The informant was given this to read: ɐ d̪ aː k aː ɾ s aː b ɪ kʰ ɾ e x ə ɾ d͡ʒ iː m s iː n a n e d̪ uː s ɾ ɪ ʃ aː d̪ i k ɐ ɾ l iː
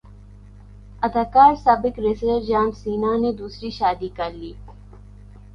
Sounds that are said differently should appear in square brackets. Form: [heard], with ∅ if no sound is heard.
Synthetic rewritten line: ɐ d̪ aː k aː ɾ s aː b ɪ [k] ɾ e [s] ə ɾ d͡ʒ [aː] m s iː n a n e d̪ uː s ɾ [i] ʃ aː d̪ i k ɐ ɾ l iː

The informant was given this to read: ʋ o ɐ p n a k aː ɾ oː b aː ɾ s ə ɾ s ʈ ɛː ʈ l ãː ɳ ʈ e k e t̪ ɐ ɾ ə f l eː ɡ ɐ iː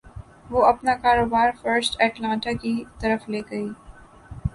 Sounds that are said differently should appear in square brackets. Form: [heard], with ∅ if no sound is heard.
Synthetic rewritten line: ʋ o ɐ p n a k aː ɾ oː b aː ɾ [f] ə ɾ s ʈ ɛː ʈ l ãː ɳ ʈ [a] k [i] t̪ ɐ ɾ ə f l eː ɡ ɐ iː

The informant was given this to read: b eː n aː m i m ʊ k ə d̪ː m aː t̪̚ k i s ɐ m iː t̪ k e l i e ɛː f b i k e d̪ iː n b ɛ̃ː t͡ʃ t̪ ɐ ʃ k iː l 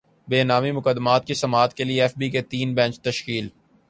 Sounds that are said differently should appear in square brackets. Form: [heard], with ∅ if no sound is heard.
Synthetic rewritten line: b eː n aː m i m ʊ k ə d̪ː m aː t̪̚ k i s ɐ m [aː] t̪ k e l i e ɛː f b i k e [t̪] iː n b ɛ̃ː t͡ʃ t̪ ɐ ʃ k iː l

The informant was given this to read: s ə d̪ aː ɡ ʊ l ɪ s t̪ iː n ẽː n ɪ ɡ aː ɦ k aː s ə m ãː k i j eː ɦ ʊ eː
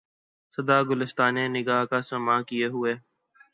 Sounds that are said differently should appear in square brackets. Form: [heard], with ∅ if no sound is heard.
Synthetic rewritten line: s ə d̪ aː ɡ ʊ l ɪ s t̪ [aː] n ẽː n ɪ ɡ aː ɦ k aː s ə m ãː k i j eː ɦ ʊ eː

